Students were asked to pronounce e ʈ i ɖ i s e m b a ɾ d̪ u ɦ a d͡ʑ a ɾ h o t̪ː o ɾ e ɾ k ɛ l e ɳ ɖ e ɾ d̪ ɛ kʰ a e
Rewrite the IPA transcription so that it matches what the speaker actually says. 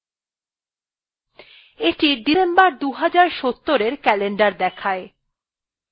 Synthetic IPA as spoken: e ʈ i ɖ i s e m b a ɾ d̪ u ɦ a d͡ʑ a ɾ ʃ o t̪ː o ɾ e ɾ k ɛ l e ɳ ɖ a ɾ d̪ ɛ kʰ a e

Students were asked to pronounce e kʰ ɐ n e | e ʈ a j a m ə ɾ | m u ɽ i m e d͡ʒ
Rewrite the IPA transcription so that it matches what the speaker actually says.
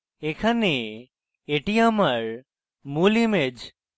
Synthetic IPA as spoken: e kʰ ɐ n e | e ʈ i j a m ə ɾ | m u l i m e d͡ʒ

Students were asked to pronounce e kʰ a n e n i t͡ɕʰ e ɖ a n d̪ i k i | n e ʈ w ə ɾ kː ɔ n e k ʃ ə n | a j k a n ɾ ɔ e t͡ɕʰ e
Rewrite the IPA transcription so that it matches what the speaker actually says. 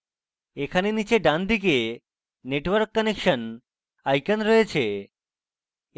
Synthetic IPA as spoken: e kʰ a n e n i t͡ɕ e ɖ a n d̪ i k e | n e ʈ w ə ɾ kː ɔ n e k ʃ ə n | a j k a n ɾ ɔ e t͡ɕʰ e

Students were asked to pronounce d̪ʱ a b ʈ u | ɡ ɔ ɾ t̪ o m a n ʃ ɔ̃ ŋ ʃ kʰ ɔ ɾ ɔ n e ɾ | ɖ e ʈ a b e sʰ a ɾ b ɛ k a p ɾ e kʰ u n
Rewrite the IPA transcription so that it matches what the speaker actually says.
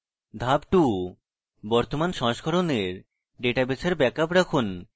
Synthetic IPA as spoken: d̪ʱ a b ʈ u | b ɔ ɾ t̪ o m a n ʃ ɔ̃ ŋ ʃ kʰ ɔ ɾ o n e ɾ | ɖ e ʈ a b e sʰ a ɾ b ɛ k a p ɾ a kʰ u n

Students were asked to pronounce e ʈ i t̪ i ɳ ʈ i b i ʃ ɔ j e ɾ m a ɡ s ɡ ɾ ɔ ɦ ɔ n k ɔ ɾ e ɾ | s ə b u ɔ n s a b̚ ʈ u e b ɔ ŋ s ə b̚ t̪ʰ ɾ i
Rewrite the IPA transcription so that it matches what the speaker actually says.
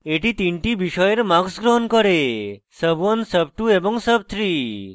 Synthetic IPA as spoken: e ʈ i t̪ i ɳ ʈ i b i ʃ ɔ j e ɾ m a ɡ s ɡ ɾ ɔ ɦ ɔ n k ɔ ɾ e | s ə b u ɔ n s ə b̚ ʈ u e b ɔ ŋ s ə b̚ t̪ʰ ɾ i

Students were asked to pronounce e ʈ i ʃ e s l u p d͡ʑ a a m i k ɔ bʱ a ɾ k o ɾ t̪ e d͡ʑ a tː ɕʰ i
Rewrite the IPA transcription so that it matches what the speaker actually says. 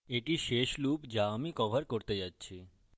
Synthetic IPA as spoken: e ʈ i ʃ e ʃ l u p d͡ʑ a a m i k ɔ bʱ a ɾ k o ɾ t̪ e d͡ʑ a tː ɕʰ i

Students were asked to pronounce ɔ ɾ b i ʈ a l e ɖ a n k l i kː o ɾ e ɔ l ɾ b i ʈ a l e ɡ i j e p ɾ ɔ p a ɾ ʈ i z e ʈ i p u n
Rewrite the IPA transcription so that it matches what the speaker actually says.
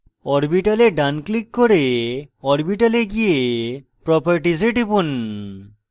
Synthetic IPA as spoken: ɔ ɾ b i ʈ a l e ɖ a n k l i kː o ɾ e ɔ ɾ b i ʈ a l e ɡ i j e p ɾ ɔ p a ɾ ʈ i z e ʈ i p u n

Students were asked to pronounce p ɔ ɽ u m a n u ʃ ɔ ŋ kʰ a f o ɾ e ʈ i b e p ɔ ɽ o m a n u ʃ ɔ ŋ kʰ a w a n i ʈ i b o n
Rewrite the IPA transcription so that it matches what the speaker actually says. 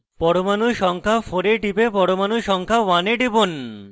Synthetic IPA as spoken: p ɔ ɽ o m a n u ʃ ɔ ŋ kʰ a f o ɾ e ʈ i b e p ɔ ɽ o m a n u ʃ ɔ ŋ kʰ a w a n e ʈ i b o n

